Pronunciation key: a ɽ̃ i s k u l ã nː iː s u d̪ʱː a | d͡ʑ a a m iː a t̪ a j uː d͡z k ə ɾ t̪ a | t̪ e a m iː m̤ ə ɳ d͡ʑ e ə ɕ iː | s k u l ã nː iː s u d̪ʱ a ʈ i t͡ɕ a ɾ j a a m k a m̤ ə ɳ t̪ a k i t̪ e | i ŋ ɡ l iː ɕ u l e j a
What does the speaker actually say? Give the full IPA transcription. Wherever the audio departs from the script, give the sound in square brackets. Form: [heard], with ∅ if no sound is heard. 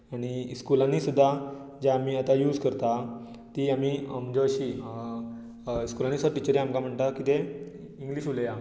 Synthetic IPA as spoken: a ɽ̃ i s k u l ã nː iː s u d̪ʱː a | d͡ʑ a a m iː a t̪ a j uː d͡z k ə ɾ t̪ a | t̪ [i] a m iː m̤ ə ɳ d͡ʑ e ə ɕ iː | s k u l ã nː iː s u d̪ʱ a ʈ i t͡ɕ [ə] ɾ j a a m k a m̤ ə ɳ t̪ a k i t̪ e | i ŋ ɡ l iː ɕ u l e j a